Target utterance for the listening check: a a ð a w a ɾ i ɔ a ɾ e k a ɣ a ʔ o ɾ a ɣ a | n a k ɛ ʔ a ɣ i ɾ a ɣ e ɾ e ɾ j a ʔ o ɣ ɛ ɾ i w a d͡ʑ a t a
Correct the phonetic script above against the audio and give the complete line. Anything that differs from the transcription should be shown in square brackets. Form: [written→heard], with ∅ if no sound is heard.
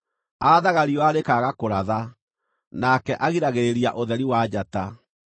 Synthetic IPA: a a ð a [w→ɣ] a ɾ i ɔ a ɾ e k a ɣ a [ʔ→k] o ɾ a [ɣ→ð] a | n a k ɛ ʔ a ɣ i ɾ a ɣ e ɾ e ɾ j a ʔ o [ɣ→ð] ɛ ɾ i w a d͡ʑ a t a